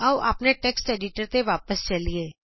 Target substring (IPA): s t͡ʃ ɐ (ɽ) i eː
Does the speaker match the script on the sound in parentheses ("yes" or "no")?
no